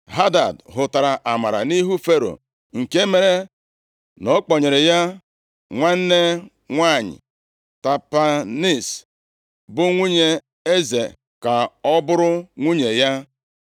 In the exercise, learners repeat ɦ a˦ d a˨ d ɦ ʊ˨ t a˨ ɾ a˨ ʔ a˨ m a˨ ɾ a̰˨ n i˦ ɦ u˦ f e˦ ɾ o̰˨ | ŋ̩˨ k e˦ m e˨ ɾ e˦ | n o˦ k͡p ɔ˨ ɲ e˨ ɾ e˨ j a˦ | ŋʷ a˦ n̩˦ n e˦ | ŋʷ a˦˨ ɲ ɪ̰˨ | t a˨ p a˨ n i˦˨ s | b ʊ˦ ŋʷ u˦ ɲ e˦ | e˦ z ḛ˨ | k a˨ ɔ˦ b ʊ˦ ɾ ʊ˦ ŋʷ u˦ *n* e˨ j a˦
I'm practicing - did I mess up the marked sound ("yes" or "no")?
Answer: yes